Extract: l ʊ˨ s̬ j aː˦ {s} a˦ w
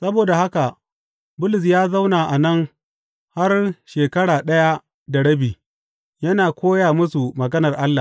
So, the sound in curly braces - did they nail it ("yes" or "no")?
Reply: no